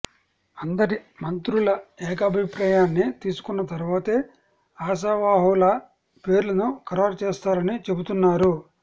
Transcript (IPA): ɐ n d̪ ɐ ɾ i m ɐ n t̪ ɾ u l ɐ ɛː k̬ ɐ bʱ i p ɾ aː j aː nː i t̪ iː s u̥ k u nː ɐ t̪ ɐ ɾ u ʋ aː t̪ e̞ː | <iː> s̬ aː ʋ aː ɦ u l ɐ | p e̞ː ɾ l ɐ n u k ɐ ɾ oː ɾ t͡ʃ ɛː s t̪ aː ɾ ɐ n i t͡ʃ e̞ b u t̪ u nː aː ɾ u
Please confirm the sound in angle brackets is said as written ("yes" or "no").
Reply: no